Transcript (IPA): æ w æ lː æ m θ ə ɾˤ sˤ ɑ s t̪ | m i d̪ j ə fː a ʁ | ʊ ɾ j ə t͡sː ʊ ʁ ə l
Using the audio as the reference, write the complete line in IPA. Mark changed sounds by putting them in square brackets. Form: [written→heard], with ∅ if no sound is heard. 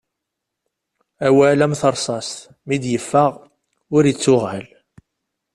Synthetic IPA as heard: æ w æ [lː→l] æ m θ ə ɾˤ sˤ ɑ s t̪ | m i d̪ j ə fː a ʁ | ʊ ɾ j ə t͡sː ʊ ʁ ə l

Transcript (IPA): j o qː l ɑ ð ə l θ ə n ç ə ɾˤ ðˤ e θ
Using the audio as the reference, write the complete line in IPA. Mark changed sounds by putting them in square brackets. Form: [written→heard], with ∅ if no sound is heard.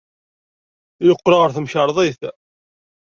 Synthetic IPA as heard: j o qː [l→ɾ] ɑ [ð→ʁ] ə [l→ɾ] θ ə [n→m] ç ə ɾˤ ðˤ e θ

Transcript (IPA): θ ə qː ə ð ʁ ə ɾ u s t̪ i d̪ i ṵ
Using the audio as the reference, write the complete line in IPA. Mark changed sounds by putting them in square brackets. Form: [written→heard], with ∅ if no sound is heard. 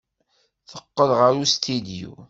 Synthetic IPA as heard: θ ə qː ə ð ʁ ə ɾ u s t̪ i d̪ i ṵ

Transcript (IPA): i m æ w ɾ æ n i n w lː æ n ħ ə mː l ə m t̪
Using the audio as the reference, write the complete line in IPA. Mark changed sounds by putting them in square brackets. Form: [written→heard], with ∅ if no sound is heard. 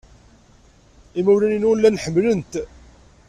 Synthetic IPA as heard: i m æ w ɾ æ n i n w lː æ n ħ ə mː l ə [m→n] t̪

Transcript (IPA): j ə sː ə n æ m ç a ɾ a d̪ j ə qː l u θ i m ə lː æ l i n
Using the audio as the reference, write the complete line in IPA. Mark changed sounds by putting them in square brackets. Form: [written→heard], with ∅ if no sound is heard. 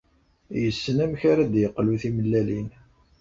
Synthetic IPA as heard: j ə sː ə n æ m ç a ɾ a d̪ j ə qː l u θ i m ə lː æ l i n

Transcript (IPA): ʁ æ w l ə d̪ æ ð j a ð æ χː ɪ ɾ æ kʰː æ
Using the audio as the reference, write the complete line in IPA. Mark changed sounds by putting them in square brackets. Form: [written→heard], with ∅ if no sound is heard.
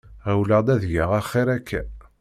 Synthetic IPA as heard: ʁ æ w l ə d̪ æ ð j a [ð→ʁ] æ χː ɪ ɾ æ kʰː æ

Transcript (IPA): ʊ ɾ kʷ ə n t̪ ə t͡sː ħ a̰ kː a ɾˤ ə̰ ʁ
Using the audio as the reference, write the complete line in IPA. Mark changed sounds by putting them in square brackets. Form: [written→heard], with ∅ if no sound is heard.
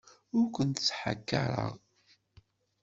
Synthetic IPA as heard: ʊ ɾ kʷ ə n t̪ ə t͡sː ħ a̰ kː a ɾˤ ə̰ ʁ

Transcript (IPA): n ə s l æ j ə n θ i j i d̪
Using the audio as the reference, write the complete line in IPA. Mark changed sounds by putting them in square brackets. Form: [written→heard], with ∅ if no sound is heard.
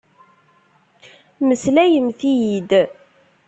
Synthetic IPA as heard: [n→m] ə s l æ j ə [n→m] θ i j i d̪

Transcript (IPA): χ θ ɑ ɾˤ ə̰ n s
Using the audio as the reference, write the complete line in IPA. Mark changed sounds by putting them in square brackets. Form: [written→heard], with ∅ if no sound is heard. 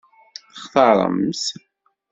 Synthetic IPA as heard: χ θ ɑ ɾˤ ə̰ [n→m] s

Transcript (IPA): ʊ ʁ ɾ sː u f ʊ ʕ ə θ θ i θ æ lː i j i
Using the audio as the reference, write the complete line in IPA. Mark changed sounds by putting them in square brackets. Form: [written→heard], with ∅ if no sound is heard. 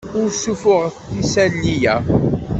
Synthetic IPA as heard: ʊ [ʁ→∅] ɾ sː u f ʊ [ʕ→ʁ] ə θ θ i [θ→s] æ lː i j [i→æ]

